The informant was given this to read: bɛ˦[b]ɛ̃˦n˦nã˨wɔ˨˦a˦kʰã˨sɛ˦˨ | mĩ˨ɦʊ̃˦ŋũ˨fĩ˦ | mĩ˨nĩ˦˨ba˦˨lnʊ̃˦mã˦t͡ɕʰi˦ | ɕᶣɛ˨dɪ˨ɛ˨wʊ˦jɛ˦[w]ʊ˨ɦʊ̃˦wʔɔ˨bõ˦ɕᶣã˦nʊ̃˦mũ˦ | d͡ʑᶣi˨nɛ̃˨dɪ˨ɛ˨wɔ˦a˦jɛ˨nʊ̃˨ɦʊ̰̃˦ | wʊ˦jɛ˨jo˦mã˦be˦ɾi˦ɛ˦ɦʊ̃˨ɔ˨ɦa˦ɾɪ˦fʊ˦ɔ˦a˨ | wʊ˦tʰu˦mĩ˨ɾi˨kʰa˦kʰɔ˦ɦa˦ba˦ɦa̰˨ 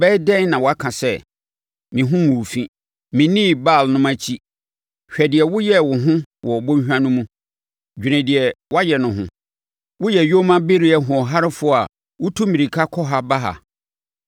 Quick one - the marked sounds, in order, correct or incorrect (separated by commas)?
incorrect, correct